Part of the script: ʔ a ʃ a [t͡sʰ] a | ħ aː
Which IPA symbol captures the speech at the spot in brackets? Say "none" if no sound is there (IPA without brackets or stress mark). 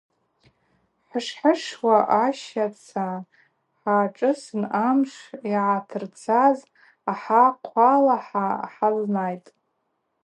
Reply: t͡sʰ